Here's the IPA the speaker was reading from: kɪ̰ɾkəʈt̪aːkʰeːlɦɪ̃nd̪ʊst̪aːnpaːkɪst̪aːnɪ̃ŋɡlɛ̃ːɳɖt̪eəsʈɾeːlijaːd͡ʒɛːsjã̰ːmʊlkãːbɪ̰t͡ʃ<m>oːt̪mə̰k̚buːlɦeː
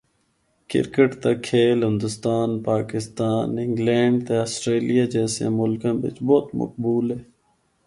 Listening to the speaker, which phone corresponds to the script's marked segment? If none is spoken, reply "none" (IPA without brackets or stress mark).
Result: b